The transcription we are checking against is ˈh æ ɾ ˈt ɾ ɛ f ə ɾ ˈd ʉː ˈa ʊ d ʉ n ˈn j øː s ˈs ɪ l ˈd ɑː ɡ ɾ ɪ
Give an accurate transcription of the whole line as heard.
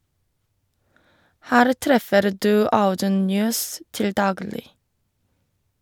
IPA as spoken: ˈh æː ɾ ˈt ɾ ɛ f ə ɾ ˈd ʉː ˈa ʊ d ʉ n ˈn j øː s ˈt ɪ l ˈd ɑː ɡ l ɪ